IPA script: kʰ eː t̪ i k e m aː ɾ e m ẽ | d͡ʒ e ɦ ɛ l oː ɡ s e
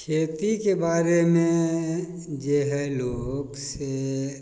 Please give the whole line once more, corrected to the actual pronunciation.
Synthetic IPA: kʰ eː t̪ i k e b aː ɾ e m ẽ | d͡ʒ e ɦ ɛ l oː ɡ s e